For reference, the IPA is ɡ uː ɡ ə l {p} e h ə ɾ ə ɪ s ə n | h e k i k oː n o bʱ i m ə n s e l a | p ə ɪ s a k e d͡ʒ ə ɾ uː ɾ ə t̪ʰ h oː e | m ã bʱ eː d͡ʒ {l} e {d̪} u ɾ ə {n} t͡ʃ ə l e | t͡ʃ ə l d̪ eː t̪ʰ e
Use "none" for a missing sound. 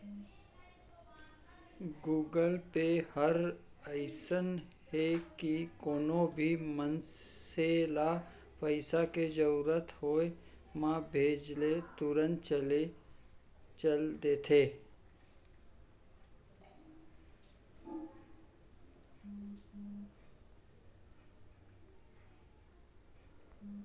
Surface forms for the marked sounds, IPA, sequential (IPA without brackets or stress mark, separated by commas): p, l, t̪, n